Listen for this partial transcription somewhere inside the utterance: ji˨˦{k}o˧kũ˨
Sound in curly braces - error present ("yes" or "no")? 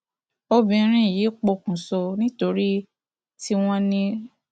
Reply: yes